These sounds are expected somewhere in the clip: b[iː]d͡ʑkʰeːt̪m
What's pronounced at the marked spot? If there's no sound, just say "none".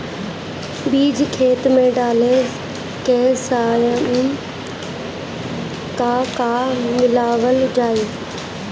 iː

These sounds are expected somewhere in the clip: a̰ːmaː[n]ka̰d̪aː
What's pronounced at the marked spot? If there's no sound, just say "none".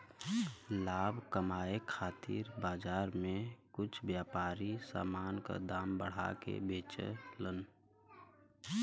n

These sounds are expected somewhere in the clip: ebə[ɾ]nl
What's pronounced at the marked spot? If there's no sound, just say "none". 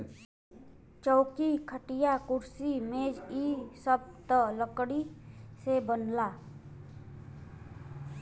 none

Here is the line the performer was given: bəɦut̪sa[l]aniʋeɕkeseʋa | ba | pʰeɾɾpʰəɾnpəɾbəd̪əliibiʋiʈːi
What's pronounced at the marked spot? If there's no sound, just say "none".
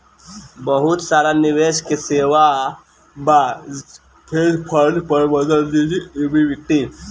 ɾ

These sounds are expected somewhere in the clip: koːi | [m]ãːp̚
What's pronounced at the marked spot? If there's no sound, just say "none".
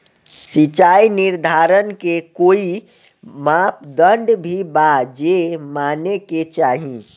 m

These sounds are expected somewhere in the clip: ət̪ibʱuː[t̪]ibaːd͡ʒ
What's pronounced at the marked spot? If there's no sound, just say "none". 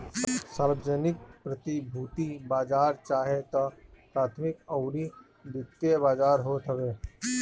t̪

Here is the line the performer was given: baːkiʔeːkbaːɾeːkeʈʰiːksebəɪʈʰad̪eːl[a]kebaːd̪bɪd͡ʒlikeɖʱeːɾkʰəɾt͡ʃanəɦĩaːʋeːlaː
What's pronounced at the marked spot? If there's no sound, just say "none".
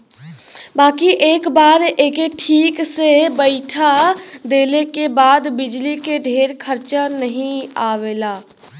e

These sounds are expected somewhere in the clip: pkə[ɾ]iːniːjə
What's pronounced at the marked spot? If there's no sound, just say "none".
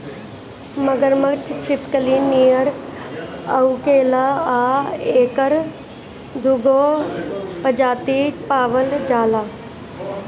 l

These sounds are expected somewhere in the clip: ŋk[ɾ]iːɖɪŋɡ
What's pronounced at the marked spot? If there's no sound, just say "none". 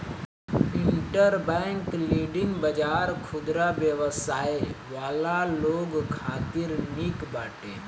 l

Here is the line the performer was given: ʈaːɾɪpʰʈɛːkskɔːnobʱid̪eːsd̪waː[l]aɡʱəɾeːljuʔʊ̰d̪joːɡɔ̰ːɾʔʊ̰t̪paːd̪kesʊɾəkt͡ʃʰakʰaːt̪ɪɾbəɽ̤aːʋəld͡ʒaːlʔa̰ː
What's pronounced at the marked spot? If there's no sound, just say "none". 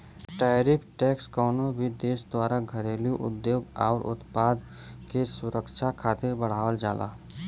ɾ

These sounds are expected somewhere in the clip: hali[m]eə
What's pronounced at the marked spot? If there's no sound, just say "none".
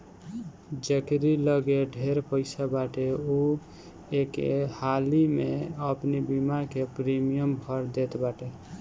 m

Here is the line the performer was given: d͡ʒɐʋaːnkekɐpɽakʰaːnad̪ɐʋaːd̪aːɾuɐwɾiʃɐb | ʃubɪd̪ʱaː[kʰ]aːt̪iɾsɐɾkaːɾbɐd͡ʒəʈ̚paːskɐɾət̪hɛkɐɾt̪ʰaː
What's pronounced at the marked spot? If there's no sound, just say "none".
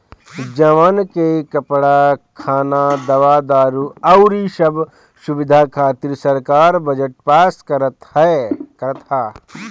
kʰ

